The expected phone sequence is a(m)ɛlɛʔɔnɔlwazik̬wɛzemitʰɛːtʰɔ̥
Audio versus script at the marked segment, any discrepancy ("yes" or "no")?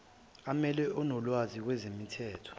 no